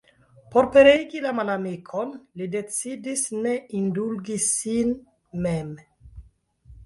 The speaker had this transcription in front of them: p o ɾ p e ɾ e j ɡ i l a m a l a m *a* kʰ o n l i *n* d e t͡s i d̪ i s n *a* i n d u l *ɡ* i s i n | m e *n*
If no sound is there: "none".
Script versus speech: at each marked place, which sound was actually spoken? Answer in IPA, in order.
i, none, e, ɡ, m

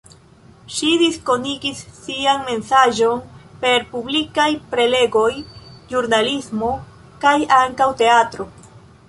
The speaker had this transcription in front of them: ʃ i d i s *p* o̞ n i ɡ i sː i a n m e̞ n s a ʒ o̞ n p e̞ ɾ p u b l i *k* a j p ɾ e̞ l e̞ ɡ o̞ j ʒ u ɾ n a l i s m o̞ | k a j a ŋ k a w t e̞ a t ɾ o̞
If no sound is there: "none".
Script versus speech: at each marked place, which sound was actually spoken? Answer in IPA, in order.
k, k

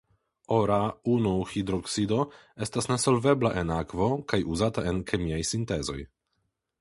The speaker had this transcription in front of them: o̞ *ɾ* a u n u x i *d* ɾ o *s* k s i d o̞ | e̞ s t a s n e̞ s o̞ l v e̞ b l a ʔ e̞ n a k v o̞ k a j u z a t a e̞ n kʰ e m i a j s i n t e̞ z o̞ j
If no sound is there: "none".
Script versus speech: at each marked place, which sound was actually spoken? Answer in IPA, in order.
ɾ, d, none

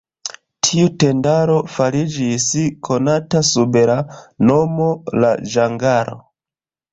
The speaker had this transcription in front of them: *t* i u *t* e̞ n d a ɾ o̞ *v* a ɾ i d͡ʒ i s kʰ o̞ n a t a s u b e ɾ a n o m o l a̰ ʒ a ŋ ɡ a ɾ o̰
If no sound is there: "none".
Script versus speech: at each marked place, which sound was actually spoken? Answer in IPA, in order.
tʰ, t, f

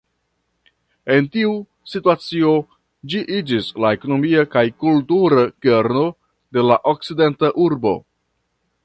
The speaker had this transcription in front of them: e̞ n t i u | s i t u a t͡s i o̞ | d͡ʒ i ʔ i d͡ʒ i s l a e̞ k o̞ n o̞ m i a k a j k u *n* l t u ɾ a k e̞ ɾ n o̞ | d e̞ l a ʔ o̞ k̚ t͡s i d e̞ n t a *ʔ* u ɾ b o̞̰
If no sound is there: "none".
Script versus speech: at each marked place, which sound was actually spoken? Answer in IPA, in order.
none, ʔ

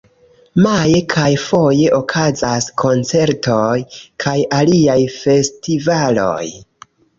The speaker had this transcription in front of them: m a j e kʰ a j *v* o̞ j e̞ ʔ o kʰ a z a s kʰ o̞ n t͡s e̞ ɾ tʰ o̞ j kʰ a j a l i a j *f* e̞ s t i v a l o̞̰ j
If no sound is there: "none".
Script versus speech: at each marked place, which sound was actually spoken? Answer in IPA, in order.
f, f

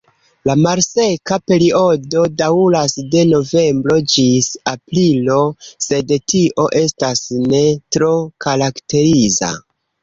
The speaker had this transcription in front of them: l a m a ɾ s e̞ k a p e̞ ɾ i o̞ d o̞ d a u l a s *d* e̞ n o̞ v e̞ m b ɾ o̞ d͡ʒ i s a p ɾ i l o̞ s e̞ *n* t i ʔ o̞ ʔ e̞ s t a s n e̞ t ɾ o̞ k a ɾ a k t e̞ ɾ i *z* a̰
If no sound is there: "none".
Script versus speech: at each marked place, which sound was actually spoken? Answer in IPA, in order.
d, d, z

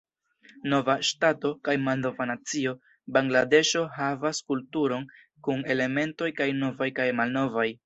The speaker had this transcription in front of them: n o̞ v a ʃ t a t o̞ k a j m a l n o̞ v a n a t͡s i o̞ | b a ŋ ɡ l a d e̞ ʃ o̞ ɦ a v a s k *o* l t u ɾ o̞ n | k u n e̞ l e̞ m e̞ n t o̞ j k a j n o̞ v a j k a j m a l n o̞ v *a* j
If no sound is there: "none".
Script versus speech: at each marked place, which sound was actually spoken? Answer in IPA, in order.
u, a

